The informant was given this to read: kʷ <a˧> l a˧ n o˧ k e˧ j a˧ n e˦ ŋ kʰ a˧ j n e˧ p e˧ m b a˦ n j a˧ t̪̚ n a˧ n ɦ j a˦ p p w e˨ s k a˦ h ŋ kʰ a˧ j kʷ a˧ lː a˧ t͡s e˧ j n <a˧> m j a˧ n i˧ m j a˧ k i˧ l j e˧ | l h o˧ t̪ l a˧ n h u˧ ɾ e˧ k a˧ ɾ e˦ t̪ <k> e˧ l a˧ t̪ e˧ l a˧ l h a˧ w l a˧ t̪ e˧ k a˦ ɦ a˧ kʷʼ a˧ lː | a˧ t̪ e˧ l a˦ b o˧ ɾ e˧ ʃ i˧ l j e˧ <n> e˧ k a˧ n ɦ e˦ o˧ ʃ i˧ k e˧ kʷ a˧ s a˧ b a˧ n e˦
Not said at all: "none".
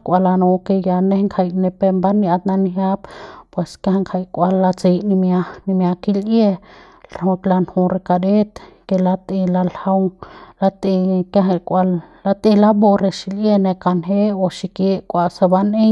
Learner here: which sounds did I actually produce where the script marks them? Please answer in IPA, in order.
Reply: a˧, i˧, k, n

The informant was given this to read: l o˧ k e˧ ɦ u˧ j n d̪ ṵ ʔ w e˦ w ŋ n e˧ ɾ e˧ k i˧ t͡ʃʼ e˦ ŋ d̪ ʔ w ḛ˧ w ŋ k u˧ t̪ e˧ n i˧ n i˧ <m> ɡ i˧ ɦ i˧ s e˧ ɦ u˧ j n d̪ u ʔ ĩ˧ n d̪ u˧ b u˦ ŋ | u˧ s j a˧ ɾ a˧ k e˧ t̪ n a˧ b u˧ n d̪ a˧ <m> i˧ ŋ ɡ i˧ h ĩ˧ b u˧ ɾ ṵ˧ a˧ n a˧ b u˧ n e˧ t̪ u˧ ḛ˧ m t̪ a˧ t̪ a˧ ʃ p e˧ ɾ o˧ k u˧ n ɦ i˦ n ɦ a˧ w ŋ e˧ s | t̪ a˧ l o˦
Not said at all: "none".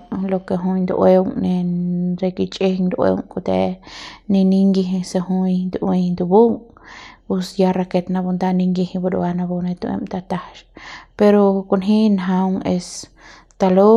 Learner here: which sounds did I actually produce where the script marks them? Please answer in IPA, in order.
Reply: ŋ, n

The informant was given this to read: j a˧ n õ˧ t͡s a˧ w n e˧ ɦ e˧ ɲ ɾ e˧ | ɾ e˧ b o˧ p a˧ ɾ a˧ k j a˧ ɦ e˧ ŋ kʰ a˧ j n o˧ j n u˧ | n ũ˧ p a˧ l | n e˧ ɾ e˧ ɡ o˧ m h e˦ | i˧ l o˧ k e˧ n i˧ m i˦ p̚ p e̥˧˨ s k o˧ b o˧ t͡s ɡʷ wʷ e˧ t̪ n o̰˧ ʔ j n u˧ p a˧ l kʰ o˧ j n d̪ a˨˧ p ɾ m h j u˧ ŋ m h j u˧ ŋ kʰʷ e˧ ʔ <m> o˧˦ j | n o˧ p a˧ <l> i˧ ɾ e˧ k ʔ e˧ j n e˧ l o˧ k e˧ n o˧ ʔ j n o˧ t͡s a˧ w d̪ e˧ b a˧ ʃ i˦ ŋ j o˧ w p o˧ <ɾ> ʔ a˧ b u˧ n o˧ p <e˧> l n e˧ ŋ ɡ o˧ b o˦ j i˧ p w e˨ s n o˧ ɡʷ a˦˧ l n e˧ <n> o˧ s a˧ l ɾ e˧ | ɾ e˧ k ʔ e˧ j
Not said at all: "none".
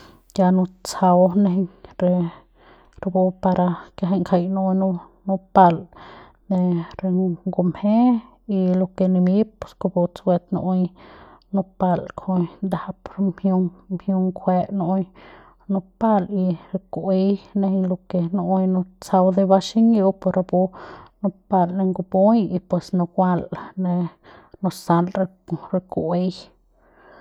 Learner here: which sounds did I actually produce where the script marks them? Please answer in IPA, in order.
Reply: n, l, ɾ, a˧, n

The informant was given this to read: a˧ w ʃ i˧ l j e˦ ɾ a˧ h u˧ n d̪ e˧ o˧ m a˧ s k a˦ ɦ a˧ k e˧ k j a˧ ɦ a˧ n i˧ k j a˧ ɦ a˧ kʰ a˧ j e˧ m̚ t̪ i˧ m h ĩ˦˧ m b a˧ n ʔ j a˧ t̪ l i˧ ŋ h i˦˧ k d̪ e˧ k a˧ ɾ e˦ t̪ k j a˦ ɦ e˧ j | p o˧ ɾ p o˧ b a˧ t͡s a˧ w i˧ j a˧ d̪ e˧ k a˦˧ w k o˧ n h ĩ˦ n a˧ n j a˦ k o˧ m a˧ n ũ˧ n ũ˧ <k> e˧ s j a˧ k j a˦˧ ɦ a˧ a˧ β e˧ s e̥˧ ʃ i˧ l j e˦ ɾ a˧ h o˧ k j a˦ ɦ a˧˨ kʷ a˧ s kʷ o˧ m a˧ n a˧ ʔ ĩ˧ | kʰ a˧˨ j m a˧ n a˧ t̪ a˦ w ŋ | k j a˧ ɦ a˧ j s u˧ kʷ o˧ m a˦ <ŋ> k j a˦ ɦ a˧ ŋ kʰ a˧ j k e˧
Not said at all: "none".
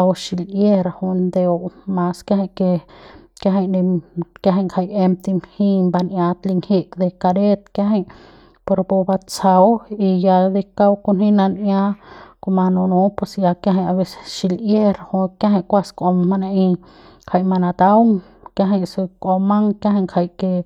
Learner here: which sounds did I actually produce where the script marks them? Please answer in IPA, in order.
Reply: p, ŋ

